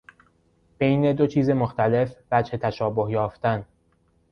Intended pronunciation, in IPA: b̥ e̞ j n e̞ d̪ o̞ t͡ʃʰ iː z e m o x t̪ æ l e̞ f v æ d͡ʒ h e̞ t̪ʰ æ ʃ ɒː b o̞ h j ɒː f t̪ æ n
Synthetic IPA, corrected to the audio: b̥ e̞ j n e̞ d̪ o̞ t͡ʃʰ iː z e m o x t̪ æ l e̞ f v æ d͡ʒ h e̞ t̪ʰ æ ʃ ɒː b o̞ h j ɒː f t̪ æ n